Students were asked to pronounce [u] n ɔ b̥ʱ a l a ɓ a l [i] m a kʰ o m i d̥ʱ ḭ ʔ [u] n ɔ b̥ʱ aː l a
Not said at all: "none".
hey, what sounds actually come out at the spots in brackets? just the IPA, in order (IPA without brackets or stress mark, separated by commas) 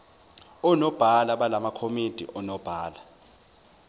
ɔ, a, ɔ